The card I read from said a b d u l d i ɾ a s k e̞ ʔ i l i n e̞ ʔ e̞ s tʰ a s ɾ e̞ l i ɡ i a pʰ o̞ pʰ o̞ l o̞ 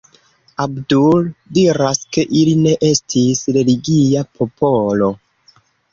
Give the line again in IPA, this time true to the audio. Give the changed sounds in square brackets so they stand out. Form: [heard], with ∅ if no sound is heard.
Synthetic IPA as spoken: a b d u l d i ɾ a s k e̞ ʔ i l i n e̞ ʔ e̞ s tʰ [i] s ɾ e̞ l i ɡ i a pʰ o̞ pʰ o̞ l o̞